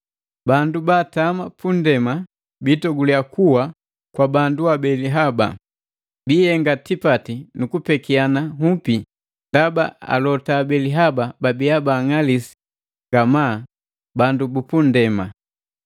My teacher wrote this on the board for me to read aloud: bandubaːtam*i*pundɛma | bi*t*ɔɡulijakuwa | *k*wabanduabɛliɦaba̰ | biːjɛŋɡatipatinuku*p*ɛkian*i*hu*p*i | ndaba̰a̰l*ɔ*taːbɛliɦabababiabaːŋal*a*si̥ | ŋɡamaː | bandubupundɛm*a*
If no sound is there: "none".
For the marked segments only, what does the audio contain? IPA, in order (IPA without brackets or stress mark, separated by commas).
a, t, k, p, a, p, ɔ, i, a